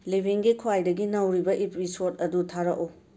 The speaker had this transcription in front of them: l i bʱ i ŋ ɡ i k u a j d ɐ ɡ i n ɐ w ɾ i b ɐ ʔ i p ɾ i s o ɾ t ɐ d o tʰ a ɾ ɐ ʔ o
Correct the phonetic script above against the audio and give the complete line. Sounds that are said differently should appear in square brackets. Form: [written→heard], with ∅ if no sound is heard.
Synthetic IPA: l i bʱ i ŋ ɡ i [k→kʰ] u a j d ɐ ɡ i n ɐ w ɾ i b ɐ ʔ i p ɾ i s o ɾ t ɐ d [o→u] tʰ a ɾ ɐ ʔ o

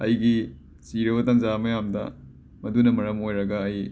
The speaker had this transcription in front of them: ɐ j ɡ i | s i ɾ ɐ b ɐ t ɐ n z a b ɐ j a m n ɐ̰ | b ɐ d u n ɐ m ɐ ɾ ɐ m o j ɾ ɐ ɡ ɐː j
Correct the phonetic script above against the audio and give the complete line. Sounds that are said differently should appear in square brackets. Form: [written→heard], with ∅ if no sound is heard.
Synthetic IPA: ɐ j ɡ i | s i ɾ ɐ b ɐ t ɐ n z a [b→m] ɐ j a m [n→d] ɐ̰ | [b→m] ɐ d u n ɐ m ɐ ɾ ɐ m o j ɾ ɐ ɡ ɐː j

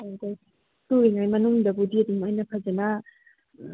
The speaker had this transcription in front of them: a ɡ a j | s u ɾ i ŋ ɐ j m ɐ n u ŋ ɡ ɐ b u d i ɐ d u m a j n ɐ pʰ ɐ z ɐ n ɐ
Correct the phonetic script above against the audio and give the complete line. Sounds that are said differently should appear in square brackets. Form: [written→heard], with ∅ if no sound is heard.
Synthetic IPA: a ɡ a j | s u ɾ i ŋ [ɐ→a] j m ɐ n u ŋ [ɡ→d] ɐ b u d i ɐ d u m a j n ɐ pʰ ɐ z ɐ n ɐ

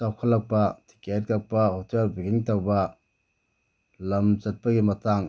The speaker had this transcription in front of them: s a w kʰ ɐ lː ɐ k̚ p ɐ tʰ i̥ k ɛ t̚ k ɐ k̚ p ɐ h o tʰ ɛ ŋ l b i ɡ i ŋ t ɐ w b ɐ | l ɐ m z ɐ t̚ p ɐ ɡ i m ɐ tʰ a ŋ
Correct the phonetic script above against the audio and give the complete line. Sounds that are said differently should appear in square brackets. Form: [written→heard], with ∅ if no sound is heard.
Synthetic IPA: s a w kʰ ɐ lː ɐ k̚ p ɐ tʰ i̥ k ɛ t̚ k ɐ k̚ p ɐ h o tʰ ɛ [ŋ→∅] l b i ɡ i ŋ t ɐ w b ɐ | l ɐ m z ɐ t̚ p ɐ ɡ i m ɐ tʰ a ŋ

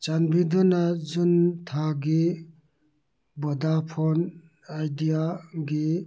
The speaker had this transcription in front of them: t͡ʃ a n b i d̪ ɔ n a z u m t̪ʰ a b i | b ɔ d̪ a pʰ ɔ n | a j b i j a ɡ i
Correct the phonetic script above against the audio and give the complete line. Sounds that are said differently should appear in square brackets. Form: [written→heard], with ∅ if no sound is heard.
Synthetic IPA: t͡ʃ a n b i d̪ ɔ n a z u [m→n] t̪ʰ a [b→ɡ] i | b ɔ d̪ a pʰ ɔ n | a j [b→d] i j a ɡ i

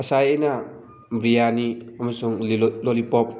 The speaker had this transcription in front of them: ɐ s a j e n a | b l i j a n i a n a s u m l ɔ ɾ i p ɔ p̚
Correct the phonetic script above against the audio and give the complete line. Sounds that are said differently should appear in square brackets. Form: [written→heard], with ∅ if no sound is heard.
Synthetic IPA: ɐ s a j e n a | b [l→ɾ] i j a n i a [n→m] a s u [m→ŋ] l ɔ [ɾ→l] i p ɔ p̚

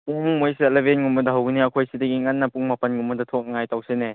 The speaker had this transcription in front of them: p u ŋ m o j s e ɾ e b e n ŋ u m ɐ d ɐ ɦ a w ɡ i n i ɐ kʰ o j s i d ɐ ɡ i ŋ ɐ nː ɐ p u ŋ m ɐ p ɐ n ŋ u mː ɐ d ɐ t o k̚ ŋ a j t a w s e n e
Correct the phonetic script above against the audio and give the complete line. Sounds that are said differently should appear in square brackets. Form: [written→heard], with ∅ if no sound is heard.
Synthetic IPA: p u ŋ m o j s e [ɾ→l] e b e n ŋ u m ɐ d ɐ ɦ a w ɡ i n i ɐ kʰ o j s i d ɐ ɡ i ŋ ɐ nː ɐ p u ŋ m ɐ p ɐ n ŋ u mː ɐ d ɐ [t→tʰ] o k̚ ŋ a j t a w s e n e

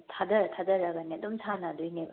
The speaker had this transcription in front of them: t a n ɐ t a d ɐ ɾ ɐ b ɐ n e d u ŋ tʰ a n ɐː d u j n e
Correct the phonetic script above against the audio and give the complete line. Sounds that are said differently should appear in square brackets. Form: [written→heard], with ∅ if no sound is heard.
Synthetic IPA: [t→tʰ] a [n→d] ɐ [t→tʰ] a d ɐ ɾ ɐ [b→ɡ] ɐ n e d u [ŋ→m] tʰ a n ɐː d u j n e

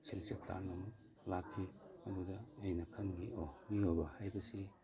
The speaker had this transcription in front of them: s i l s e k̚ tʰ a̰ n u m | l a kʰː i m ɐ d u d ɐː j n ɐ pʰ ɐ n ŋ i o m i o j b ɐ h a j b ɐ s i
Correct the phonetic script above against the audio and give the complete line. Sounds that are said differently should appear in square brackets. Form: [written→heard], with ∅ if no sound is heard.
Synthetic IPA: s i l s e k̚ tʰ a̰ n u m | l a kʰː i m ɐ d u d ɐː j n ɐ [pʰ→kʰ] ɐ n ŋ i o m i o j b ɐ h a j b ɐ s i

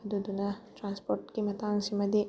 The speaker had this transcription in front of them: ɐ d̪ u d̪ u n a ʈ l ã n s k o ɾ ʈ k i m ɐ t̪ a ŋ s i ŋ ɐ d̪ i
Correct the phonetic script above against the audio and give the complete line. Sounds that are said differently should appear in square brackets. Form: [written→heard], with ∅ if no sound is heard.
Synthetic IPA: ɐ d̪ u d̪ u n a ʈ [l→ɾ] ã n s [k→p] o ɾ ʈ k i m ɐ t̪ a ŋ s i [ŋ→m] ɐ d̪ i

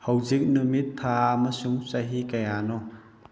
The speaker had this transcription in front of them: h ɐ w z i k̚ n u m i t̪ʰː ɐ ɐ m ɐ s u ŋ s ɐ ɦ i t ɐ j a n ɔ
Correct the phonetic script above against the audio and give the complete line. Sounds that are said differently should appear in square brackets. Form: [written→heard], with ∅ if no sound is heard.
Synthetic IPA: h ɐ w z i k̚ n u m i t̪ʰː [ɐ→a] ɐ m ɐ s u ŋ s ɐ ɦ i [t→k] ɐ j a n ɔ

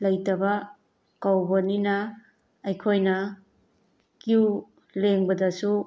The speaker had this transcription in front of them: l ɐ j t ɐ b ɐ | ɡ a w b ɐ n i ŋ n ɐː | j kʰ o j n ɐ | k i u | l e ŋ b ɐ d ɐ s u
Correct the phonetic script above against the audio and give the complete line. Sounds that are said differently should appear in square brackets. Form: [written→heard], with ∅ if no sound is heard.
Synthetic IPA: l ɐ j t ɐ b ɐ | [ɡ→k] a w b ɐ n i [ŋ→∅] n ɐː | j kʰ o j n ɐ | k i u | l e ŋ b ɐ d ɐ s u

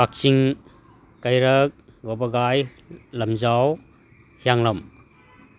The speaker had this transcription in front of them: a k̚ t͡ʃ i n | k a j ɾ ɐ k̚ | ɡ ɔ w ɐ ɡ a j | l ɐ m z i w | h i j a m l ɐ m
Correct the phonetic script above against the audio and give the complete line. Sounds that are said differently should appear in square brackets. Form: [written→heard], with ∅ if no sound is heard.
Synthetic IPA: a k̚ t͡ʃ i [n→ŋ] | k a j ɾ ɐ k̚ | ɡ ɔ [w→b] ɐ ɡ a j | l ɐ m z [i→a] w | h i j a [m→ŋ] l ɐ m

